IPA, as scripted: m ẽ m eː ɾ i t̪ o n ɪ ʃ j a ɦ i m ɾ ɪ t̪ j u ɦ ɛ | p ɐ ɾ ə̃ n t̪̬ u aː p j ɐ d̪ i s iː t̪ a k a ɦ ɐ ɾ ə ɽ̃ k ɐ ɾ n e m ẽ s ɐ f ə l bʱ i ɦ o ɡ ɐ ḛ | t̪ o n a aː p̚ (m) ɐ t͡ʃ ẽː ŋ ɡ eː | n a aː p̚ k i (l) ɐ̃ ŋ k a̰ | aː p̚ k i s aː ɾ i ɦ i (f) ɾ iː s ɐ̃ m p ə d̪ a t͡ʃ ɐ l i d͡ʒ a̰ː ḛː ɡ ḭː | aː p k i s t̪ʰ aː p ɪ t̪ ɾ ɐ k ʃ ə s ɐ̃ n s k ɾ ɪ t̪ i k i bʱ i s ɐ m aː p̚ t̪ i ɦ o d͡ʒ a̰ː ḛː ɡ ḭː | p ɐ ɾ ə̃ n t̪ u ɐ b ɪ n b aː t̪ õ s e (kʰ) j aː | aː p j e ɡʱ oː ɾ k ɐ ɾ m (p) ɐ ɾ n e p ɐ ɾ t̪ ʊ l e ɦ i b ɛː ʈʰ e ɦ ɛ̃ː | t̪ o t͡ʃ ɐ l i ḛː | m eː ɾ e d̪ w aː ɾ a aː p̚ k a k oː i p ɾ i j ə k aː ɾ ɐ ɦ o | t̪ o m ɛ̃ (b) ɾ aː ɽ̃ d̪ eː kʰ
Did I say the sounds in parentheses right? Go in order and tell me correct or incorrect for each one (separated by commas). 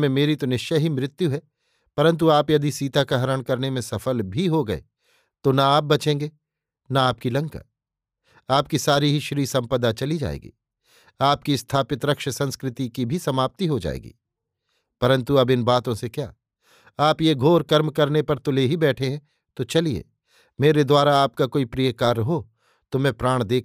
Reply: incorrect, correct, incorrect, incorrect, incorrect, incorrect